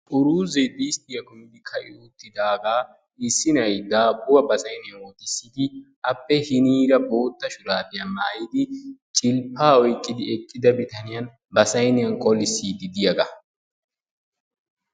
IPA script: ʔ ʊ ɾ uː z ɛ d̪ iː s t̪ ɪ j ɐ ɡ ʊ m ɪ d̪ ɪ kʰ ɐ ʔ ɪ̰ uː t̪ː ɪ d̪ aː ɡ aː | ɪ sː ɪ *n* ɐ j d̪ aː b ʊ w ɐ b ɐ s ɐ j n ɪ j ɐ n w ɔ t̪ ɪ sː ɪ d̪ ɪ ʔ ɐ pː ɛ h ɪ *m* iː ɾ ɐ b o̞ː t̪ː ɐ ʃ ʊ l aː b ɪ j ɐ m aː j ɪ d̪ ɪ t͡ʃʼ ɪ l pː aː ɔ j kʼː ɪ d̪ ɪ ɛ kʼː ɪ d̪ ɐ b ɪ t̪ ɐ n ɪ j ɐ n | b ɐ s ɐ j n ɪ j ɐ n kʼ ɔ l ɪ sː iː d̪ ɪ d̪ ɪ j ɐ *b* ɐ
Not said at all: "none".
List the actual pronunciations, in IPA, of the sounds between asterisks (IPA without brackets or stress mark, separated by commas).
n, n, ɡ